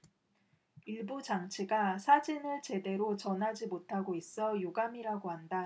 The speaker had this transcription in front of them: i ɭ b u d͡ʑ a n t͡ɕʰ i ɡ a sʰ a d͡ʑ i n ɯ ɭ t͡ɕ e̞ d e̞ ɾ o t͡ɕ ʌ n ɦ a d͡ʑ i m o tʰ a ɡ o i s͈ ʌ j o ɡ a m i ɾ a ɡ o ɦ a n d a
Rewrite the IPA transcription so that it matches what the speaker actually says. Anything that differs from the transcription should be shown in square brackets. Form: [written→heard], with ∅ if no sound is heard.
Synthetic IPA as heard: i ɭ b u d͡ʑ a [n→ŋ] t͡ɕʰ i ɡ a sʰ a d͡ʑ i n ɯ ɭ t͡ɕ e̞ d e̞ ɾ o t͡ɕ ʌ n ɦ a d͡ʑ i m o tʰ a ɡ o i s͈ ʌ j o ɡ a m i ɾ a ɡ o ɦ a n d a